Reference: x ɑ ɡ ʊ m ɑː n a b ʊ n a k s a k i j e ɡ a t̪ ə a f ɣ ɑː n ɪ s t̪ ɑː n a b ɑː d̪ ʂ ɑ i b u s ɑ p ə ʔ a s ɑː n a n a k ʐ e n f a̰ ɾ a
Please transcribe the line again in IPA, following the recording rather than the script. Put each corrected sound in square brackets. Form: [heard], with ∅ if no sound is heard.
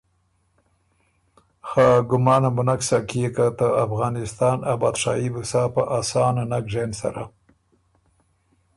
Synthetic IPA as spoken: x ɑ ɡ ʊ m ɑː n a b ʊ n a k s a k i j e [k] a t̪ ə a f ɣ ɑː n ɪ s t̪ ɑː n a b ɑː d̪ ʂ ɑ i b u s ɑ p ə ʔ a s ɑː n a n a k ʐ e n [s] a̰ ɾ a

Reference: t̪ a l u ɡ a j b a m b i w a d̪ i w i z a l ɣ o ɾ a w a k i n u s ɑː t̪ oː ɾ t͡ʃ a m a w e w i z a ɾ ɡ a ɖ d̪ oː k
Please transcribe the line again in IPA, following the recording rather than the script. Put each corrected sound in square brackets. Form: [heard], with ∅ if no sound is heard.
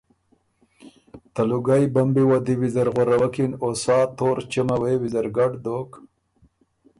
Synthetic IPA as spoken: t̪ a l u ɡ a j b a m b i w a d̪ i w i z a [ɾ] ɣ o ɾ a w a k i n [o] s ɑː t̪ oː ɾ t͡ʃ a m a w e w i z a ɾ ɡ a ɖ d̪ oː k

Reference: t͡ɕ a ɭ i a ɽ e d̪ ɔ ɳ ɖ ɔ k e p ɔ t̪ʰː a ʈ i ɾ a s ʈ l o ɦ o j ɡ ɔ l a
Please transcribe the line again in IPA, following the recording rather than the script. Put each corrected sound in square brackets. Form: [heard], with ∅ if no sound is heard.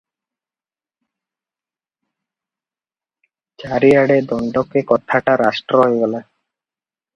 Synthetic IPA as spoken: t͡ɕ a [ɾ] i a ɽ e d̪ ɔ ɳ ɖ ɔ k e [k] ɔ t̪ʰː a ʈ [a] ɾ a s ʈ [ɾ] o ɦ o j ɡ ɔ l a

